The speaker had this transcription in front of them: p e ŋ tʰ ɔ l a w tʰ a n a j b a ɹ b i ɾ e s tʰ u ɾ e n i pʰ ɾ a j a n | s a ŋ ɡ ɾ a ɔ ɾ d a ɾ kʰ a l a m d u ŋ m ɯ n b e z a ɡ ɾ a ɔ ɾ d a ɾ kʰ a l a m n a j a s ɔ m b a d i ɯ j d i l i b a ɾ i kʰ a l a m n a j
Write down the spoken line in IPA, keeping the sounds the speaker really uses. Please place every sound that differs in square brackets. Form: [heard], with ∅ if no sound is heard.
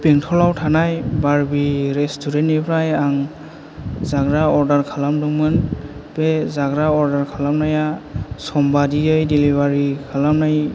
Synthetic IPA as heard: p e ŋ tʰ ɔ l a w tʰ a n a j b a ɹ b i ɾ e s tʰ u ɾ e n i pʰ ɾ a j a [ŋ] | [z] a [∅] ɡ ɾ a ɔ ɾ d a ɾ kʰ a l a m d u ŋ m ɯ n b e z a ɡ ɾ a ɔ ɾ d a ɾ kʰ a l a m n a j a s ɔ m b a d i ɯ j d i l i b a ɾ i kʰ a l a m n a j